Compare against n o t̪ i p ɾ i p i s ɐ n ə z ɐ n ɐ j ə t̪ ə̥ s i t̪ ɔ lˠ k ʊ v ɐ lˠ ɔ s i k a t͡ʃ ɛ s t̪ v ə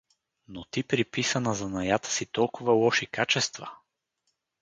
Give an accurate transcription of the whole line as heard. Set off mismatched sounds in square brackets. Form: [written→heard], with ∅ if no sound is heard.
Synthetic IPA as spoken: n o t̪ i p ɾ i p i s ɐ n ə z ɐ n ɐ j [ə→a] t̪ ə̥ s i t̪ ɔ lˠ k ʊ v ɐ lˠ ɔ [s→ʃ] i k a t͡ʃ ɛ s t̪ v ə